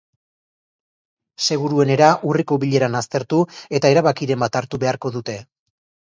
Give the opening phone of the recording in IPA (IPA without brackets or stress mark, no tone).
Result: s